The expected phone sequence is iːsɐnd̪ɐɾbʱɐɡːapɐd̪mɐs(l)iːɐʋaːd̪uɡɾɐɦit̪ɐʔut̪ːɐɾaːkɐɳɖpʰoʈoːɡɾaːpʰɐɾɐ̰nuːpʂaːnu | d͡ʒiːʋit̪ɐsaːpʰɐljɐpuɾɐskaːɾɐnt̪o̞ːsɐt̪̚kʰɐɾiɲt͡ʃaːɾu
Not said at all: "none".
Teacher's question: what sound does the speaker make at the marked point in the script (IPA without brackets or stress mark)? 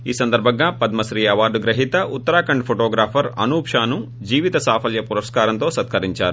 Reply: ɾ